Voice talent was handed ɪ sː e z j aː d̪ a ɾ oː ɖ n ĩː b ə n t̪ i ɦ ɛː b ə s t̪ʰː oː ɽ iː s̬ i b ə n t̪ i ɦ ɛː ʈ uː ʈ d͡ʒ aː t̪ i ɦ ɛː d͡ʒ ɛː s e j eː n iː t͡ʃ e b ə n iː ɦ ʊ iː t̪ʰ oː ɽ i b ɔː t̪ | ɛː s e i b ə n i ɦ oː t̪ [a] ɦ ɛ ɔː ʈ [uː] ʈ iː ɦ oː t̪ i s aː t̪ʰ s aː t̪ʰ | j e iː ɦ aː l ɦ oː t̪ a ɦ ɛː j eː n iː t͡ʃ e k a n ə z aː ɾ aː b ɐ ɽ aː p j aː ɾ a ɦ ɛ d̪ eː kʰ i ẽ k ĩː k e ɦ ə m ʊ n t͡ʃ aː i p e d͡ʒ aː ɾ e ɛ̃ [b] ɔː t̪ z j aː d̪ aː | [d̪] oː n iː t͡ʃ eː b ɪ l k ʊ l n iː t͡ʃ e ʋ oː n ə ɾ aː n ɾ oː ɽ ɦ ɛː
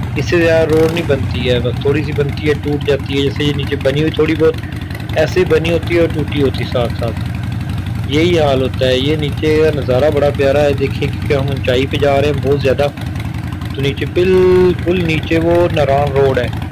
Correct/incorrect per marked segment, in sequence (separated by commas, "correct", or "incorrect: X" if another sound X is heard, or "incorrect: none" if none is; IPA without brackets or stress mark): incorrect: i, correct, correct, incorrect: t̪